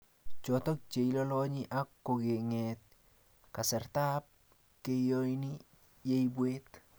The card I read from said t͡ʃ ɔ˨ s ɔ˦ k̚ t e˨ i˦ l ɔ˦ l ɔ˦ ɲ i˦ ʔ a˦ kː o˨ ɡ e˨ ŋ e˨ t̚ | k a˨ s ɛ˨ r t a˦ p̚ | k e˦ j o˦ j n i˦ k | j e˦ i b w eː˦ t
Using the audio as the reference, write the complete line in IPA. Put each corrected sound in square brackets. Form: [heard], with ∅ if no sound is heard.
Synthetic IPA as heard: t͡ʃ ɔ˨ [t] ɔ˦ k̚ [t͡ʃ] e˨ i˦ l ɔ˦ l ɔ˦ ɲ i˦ ʔ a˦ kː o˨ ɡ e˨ ŋ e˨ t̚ | k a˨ s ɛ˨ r t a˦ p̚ | k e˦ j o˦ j n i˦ [∅] | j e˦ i b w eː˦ t

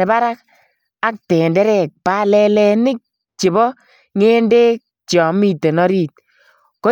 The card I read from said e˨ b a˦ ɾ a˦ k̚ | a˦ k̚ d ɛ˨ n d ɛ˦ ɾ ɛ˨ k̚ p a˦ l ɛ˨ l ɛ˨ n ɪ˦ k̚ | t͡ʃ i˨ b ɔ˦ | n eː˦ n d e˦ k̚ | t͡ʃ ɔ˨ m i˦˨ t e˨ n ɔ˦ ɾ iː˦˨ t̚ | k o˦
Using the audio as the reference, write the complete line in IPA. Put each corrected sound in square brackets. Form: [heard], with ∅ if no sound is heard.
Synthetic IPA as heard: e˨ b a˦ ɾ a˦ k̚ | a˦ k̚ [t] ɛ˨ n d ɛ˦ ɾ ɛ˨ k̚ p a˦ l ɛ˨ l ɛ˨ n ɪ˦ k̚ | t͡ʃ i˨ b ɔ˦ | [ŋ] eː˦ n d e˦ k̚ | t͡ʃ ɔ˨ m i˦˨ t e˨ n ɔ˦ ɾ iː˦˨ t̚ | k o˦

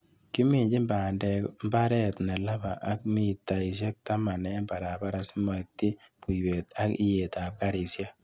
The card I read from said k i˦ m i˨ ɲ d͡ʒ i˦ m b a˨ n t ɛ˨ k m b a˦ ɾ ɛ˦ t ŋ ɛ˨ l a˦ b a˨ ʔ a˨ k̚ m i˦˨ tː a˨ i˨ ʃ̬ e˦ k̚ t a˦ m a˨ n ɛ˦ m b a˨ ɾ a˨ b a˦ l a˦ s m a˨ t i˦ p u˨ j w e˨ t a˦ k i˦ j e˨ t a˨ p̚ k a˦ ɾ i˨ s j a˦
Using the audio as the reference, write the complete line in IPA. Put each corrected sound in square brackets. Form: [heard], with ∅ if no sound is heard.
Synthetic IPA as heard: k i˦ m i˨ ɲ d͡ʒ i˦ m b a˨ n [d] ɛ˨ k m b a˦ ɾ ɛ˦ t [n] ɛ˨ l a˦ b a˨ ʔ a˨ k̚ m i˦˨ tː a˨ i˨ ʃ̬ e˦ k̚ t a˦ m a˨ n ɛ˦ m b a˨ ɾ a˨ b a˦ [ɾ] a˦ s m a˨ t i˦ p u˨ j w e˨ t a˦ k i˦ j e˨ t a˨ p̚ k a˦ ɾ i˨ s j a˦

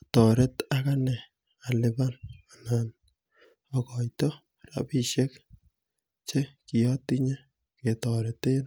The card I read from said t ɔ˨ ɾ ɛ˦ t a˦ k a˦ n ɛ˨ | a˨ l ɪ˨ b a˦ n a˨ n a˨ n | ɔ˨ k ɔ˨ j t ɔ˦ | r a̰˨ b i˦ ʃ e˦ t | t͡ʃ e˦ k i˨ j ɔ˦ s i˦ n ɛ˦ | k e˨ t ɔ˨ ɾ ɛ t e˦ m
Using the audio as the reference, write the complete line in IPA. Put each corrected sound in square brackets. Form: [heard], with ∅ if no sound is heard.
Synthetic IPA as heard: t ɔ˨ ɾ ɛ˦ t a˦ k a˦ n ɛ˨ | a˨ l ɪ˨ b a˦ n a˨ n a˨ n | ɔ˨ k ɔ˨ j t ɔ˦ | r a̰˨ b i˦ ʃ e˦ [k] | t͡ʃ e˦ k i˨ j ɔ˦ [t] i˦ [ɲ] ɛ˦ | k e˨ t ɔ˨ ɾ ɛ t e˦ [n]

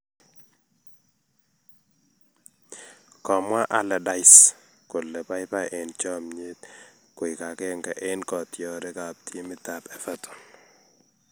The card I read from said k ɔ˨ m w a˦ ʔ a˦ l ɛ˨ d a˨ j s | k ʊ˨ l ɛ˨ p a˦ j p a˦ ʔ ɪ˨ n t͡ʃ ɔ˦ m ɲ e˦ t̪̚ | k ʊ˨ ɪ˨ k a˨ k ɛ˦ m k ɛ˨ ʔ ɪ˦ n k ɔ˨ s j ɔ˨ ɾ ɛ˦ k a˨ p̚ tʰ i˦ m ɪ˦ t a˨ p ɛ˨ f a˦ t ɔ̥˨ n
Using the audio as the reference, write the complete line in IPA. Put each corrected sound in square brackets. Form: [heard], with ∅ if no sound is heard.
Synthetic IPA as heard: k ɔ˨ m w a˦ ʔ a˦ l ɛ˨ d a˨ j s | k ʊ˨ l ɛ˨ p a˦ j p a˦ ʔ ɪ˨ n t͡ʃ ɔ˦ m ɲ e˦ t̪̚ | k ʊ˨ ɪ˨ k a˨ k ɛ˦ [ŋ] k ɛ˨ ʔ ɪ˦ n k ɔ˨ [t] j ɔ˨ ɾ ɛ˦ k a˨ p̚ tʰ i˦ m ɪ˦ t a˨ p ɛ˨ f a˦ t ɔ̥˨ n

